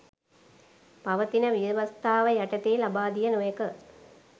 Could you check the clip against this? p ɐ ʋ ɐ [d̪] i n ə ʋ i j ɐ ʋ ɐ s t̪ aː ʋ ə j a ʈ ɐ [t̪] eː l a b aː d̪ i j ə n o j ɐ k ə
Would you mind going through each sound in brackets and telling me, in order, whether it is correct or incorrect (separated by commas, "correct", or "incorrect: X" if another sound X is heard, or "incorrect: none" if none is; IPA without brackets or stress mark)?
incorrect: t̪, correct